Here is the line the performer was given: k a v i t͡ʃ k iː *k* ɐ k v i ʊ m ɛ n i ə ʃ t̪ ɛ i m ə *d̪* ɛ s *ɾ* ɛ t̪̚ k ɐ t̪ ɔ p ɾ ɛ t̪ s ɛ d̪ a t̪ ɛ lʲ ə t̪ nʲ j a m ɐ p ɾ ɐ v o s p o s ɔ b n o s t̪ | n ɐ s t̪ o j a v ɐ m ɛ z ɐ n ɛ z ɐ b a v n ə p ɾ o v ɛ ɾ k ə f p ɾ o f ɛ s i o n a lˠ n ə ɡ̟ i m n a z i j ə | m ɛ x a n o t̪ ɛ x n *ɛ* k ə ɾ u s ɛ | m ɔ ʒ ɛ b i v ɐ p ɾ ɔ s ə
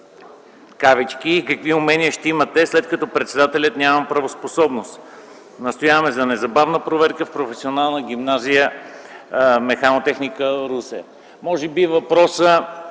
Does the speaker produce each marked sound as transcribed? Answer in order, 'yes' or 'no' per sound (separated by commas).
yes, no, no, no